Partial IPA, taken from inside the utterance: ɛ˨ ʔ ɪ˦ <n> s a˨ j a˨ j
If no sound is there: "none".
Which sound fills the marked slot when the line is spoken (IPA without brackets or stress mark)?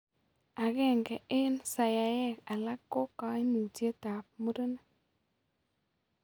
n